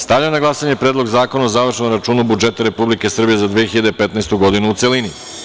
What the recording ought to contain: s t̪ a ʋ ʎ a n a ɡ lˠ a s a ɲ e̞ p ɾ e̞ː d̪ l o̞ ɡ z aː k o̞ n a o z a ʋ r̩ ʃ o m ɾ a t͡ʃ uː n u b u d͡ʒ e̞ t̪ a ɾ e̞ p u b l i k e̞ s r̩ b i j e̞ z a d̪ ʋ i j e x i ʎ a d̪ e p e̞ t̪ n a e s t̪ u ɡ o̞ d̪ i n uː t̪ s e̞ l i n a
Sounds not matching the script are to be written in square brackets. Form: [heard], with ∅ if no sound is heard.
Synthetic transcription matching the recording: s t̪ a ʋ ʎ a n a ɡ lˠ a s a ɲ e̞ p ɾ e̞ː d̪ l o̞ ɡ z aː k o̞ n a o z a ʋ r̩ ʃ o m ɾ a t͡ʃ uː n u b u d͡ʒ e̞ t̪ a ɾ e̞ p u b l i k e̞ s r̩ b i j e̞ z a d̪ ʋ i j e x i ʎ a d̪ e p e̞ t̪ n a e s t̪ u ɡ o̞ d̪ i n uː t̪ s e̞ l i n [i]